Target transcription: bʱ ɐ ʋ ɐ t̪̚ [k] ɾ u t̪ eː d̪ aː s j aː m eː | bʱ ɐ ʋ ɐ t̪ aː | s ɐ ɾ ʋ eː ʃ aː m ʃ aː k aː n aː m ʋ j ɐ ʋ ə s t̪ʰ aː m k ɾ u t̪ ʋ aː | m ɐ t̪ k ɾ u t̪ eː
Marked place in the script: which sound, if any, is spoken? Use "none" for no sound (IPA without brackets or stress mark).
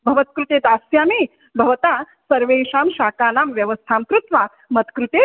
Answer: k